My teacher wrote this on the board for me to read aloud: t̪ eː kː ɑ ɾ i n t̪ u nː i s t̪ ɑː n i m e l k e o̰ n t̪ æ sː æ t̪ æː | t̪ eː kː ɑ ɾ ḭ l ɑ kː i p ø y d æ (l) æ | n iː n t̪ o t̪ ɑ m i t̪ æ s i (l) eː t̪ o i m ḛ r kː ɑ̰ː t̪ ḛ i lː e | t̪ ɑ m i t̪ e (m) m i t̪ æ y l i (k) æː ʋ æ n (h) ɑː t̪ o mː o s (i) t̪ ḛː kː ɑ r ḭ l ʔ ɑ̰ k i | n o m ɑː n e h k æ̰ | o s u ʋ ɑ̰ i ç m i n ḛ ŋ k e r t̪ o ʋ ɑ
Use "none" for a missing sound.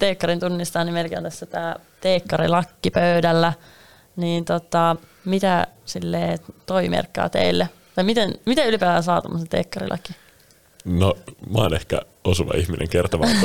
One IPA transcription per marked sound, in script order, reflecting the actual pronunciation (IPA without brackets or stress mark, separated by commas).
lː, lː, n, p, s, e